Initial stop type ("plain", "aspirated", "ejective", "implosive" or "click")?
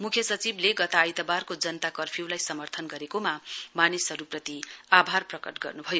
aspirated